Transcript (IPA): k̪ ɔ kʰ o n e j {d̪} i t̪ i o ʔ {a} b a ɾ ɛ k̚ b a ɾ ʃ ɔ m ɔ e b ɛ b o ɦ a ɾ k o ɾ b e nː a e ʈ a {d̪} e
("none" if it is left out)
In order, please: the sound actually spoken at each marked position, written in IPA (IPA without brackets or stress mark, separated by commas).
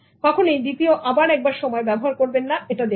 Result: d̪, a, d̪